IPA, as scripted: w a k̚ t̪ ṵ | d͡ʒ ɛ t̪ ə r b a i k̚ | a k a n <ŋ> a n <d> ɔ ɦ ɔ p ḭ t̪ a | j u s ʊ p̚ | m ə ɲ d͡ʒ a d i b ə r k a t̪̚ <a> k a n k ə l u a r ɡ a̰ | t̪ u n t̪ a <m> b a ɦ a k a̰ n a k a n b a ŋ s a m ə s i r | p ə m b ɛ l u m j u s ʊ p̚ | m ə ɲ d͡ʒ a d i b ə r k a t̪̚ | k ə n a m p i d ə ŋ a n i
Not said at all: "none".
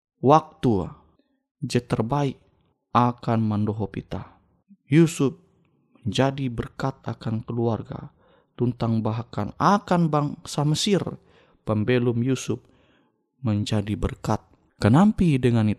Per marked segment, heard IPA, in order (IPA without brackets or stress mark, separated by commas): m, d, a, ŋ